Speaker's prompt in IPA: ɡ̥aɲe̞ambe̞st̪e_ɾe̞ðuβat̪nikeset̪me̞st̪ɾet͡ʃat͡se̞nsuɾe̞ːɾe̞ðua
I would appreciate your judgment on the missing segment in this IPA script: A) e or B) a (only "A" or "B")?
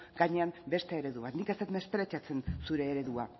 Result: A